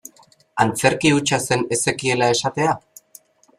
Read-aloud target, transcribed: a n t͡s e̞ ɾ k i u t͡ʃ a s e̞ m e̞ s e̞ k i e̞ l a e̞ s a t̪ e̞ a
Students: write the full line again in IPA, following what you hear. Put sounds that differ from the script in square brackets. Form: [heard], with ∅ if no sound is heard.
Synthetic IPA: a n t͡s e̞ ɾ k i u t͡ʃ a s e̞ [n] e̞ s e̞ k i e̞ l a e̞ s a t̪ e̞ a